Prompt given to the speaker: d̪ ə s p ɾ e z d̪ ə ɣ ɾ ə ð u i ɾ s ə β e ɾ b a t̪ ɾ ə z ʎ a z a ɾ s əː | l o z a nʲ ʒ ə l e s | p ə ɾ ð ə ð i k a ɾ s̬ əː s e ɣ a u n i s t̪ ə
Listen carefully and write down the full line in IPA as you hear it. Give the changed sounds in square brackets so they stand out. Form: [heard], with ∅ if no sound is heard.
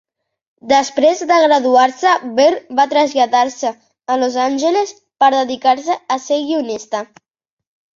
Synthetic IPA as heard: d̪ ə s p ɾ e z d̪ ə ɣ ɾ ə ð u [a] ɾ s ə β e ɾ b a t̪ ɾ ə z ʎ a [ð] a ɾ s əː | l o z a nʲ ʒ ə l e s | p ə ɾ ð ə ð i k a ɾ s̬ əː s e ɣ [i] u n i s t̪ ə